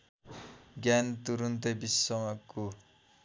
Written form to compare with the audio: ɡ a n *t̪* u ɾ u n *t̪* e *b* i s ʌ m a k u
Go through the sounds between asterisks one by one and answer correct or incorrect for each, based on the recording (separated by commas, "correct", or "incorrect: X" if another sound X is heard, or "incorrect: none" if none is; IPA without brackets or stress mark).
correct, correct, correct